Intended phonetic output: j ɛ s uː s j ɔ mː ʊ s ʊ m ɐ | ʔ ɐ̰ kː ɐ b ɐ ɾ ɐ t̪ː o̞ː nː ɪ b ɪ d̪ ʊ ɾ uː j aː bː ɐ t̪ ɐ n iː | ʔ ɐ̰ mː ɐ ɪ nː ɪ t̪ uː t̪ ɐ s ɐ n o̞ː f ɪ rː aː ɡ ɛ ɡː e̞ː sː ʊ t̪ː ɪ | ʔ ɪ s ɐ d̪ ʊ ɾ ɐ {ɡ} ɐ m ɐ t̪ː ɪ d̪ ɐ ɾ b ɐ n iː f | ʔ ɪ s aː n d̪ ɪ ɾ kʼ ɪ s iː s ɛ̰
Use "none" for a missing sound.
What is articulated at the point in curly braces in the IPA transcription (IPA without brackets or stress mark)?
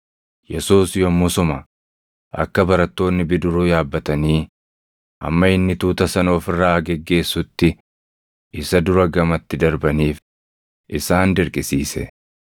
ɡ